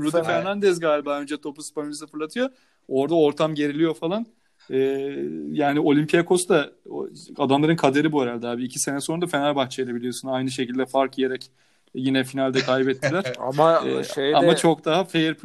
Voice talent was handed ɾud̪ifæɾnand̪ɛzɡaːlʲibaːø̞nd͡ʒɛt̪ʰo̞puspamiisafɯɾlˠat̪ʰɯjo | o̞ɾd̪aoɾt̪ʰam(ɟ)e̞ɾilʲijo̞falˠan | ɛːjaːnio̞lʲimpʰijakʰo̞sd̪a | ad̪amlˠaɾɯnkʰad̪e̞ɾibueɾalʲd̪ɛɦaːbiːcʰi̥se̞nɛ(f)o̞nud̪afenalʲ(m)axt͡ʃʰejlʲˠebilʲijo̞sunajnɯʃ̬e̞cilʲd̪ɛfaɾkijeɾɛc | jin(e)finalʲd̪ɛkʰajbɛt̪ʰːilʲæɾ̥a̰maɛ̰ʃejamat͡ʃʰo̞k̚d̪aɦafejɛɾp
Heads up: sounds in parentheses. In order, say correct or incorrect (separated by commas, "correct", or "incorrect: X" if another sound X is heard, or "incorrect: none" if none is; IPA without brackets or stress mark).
correct, incorrect: s, incorrect: b, incorrect: ɛ